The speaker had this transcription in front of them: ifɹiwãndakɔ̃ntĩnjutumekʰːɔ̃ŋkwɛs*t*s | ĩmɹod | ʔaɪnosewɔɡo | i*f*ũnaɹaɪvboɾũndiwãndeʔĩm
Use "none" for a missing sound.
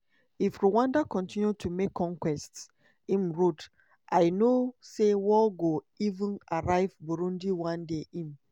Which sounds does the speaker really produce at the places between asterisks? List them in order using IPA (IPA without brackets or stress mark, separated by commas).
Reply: t, v